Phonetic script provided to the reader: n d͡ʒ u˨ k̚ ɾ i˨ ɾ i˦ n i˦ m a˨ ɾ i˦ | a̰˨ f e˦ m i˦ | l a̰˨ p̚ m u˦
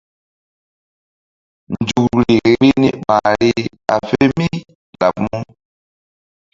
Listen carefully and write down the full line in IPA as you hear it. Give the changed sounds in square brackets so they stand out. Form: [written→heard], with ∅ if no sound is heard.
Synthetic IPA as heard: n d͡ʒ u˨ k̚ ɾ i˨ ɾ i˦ n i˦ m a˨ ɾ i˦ | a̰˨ f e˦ m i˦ | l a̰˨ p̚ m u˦

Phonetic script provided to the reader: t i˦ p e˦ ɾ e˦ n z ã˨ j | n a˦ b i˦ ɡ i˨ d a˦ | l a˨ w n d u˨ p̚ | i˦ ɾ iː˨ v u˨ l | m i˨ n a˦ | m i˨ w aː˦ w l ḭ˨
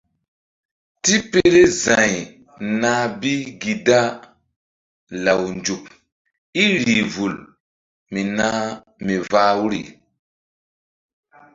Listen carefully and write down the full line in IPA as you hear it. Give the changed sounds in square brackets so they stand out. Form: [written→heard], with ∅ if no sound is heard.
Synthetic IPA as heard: t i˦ p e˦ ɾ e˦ [n→∅] z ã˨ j | n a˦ b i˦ ɡ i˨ d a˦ | l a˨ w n [d→d͡ʒ] u˨ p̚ | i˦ ɾ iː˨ v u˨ l | m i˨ n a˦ | m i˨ [w→v] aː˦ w [l→ɾ] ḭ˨

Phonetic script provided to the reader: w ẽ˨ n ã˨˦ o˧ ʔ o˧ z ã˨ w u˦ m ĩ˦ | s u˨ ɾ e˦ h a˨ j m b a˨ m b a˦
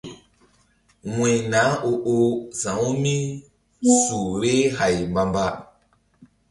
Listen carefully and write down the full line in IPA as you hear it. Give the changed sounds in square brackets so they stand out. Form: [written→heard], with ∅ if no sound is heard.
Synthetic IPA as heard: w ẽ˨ n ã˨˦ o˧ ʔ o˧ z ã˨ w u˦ m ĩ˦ | s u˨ ɾ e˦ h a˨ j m b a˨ m b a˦

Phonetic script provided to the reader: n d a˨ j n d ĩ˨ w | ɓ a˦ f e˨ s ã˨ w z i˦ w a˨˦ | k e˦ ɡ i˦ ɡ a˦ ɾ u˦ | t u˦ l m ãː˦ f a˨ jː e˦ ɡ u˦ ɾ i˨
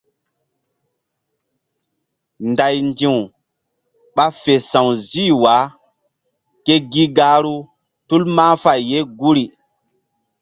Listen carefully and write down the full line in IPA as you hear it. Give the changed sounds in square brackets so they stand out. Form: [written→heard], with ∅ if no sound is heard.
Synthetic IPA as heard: n d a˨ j n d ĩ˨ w | ɓ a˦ f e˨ s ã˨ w z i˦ w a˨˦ | k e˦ ɡ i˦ ɡ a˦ ɾ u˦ | t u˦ l m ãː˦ f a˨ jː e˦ ɡ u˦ ɾ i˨

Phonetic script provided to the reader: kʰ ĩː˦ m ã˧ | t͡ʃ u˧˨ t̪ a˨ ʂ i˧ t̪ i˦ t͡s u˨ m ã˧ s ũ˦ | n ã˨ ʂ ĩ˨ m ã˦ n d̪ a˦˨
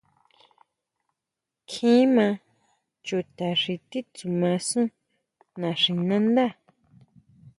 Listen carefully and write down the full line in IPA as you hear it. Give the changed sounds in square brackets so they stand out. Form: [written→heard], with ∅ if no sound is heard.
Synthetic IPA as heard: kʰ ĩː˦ m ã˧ | t͡ʃ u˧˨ t̪ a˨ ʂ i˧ t̪ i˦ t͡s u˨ m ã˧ s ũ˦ | n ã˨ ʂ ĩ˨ [m→n] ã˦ n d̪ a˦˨

